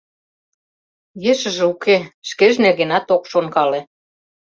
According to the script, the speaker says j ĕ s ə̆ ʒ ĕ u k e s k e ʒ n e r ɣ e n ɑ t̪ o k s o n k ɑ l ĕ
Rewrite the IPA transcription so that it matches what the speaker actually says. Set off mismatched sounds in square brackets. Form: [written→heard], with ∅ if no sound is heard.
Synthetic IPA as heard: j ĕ [s→ʃ] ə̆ ʒ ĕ u k e [s→ʃ] k e ʒ n e r ɣ e n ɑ t̪ o k [s→ʃ] o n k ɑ l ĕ